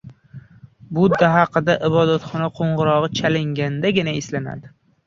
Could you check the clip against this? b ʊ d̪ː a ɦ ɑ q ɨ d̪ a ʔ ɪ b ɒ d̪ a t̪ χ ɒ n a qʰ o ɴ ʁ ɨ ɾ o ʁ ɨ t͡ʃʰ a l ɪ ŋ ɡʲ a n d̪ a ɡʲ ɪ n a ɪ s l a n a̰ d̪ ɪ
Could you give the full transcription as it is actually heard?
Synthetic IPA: b ʊ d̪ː a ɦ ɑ q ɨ d̪ a ʔ ɪ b ɒ d̪ a t̪ χ ɒ n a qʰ o ɴ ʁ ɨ ɾ ɒ ʁ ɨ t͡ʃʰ a l ɪ ŋ ɡʲ a n d̪ a ɡʲ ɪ n a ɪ s l a n a̰ d̪ ɪ

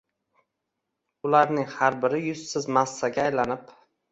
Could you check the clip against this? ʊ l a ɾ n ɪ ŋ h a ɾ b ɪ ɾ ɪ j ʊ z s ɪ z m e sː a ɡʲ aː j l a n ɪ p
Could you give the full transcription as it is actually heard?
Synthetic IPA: ʊ l a ɾ n ɪ ŋ h a ɾ b ɪ ɾ ɪ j ʊ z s ɪ z m a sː a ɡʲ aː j l a n ɪ p

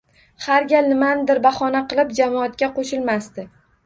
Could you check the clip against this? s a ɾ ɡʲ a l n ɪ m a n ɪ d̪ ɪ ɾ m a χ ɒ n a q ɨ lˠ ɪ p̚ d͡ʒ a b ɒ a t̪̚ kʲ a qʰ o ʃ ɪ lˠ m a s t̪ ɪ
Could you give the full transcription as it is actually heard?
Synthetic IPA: h a ɾ ɡʲ a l n ɪ m a n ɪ d̪ ɪ ɾ b a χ ɒ n a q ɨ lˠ ɪ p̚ d͡ʒ a m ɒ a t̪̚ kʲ a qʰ o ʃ ɪ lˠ m a s t̪ ɪ

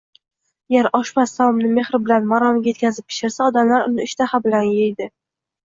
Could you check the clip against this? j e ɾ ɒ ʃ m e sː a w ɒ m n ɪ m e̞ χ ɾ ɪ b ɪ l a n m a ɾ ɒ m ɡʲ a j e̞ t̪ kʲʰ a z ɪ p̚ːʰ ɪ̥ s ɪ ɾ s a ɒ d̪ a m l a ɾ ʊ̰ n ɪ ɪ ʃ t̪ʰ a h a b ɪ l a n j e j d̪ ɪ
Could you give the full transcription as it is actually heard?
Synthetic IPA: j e ɾ ɒ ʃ m a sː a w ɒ m n ɪ m e̞ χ ɾ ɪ b ɪ l a n m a ɾ ɒ m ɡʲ a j e̞ t̪ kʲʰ a z ɪ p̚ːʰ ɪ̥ ʃ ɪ ɾ s a ɒ d̪ a m l a ɾ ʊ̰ n ɪ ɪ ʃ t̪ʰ a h a b ɪ l a n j e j d̪ ɪ

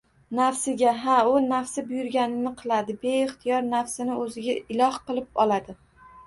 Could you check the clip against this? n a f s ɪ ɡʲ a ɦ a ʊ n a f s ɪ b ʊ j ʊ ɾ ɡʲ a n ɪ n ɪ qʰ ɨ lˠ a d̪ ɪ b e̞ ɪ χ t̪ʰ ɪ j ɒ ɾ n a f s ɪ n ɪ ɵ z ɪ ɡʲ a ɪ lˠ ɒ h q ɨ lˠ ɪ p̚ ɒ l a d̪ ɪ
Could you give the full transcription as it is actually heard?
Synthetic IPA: n a f s ɪ ɡʲ a ɦ a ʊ n a f s ɪ b ʊ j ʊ ɾ ɡʲ a n ɪ n ɪ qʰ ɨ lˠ a d̪ ɪ b e̞ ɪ χ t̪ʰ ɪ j ɒ ɾ n a f s ɪ n ɪ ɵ z ɪ ɡʲ a ɪ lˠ ɒ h q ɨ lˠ ɪ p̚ ɒ l a d̪ ɪ

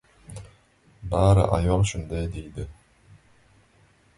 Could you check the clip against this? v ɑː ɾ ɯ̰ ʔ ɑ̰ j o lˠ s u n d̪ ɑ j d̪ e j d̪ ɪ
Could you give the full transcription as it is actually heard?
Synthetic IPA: b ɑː ɾ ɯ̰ ʔ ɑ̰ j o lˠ ʃ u n d̪ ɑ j d̪ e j d̪ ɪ

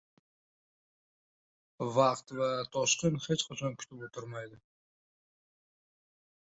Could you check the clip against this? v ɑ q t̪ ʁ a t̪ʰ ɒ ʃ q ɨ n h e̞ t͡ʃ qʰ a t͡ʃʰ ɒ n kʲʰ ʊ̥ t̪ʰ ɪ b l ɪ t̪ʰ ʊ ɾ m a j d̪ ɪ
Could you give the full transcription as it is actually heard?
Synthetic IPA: v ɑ q t̪ v a t̪ʰ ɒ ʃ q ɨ n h e̞ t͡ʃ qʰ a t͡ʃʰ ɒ n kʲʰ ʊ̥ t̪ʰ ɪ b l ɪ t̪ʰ ʊ ɾ m a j d̪ ɪ

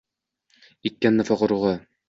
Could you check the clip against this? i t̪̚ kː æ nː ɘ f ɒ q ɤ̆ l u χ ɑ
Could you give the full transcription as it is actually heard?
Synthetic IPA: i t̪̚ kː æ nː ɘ f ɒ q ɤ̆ ɾ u ʁ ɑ

